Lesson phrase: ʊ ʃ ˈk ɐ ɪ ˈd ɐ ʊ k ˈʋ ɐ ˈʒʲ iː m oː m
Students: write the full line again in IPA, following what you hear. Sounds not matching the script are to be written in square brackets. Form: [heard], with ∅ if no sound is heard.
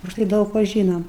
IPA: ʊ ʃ [ˈt] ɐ ɪ ˈd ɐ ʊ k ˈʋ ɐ ˈʒʲ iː [n] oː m